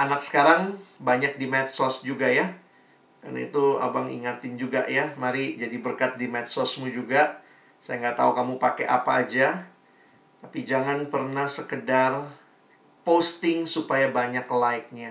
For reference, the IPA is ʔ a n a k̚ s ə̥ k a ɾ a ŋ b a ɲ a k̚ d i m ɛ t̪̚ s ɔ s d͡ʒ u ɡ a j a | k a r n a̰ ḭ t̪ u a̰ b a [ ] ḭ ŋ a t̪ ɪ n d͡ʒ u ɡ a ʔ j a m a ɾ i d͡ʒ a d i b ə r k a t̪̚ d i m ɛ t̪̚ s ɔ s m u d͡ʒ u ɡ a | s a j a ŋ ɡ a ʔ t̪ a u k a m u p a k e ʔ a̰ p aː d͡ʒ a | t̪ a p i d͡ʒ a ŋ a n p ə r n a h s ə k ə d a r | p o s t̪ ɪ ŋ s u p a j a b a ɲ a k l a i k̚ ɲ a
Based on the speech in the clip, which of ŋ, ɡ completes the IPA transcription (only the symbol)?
ŋ